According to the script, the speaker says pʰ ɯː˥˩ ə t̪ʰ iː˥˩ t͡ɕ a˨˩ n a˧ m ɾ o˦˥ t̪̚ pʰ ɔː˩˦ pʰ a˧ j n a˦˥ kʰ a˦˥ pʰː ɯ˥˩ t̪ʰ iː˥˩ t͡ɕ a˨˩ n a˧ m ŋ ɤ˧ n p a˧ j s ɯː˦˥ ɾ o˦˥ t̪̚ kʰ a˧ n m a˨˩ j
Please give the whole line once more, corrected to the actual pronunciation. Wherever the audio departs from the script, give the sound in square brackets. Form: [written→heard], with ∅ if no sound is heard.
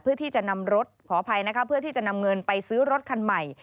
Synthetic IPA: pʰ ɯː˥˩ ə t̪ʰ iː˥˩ t͡ɕ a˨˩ n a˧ m ɾ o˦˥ t̪̚ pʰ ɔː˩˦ pʰ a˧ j n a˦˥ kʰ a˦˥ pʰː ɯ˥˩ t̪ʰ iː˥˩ t͡ɕ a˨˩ n a˧ m ŋ ɤ˧ n p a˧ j s ɯː˦˥ ɾ o˦˥ t̪̚ kʰ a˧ n m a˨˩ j